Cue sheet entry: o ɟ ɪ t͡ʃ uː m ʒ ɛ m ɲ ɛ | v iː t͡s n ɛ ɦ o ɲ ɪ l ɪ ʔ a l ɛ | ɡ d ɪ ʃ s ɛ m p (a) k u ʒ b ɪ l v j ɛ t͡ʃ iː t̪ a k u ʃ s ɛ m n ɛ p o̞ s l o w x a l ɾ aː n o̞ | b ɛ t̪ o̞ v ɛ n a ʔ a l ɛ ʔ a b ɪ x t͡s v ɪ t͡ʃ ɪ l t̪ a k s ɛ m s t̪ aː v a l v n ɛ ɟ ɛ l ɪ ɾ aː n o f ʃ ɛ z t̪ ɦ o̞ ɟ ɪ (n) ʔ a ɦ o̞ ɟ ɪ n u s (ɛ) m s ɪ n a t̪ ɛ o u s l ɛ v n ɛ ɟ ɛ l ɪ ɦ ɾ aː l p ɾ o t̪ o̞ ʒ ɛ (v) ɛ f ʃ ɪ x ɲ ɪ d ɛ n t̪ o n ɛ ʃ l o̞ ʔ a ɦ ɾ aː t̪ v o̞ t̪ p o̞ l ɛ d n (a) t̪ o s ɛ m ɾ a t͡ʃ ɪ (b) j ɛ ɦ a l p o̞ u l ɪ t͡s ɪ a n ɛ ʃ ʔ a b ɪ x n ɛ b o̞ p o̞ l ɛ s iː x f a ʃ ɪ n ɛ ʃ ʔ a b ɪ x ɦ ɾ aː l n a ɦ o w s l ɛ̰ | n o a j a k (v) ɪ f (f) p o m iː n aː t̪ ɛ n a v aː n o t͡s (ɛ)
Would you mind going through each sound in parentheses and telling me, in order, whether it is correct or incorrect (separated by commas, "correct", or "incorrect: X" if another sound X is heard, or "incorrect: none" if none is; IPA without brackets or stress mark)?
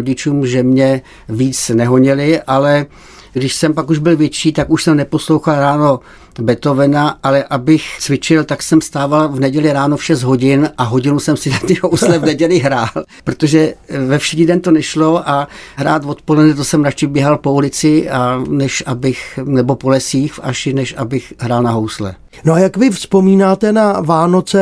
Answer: correct, correct, correct, correct, incorrect: ɛ, correct, correct, incorrect: s, correct